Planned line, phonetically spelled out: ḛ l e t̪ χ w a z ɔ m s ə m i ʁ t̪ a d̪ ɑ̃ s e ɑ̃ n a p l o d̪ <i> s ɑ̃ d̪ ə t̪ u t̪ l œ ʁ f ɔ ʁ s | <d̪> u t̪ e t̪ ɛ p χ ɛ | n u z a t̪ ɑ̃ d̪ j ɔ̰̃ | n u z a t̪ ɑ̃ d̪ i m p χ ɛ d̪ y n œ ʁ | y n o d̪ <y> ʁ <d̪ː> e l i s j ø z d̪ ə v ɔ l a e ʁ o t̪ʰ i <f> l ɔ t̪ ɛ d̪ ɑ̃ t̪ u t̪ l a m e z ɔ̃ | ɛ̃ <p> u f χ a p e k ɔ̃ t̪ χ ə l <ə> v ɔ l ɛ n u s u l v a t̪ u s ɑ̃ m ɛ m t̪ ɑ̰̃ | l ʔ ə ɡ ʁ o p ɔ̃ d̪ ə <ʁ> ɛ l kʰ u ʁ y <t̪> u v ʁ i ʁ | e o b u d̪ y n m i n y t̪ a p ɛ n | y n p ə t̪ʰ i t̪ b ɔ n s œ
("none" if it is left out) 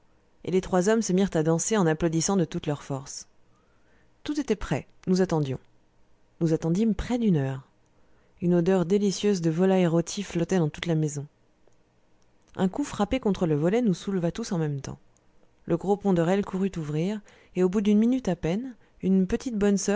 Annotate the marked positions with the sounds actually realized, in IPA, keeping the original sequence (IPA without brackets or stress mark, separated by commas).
i, t̪, œ, d̪, f, k, ə, ʁ, t̪